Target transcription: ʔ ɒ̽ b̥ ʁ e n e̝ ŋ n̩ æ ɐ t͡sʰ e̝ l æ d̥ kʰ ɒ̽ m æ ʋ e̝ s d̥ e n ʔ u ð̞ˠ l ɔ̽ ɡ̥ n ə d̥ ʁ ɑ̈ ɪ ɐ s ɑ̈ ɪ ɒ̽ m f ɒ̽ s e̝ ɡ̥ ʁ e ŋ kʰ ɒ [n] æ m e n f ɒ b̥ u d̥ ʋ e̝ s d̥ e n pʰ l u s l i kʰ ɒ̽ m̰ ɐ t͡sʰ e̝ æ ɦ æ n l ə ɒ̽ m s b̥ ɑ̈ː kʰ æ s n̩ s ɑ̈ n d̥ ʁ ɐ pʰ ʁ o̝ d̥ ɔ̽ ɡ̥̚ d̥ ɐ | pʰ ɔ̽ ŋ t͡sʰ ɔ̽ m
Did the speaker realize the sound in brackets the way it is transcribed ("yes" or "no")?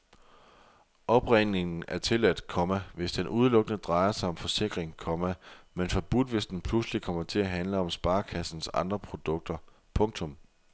no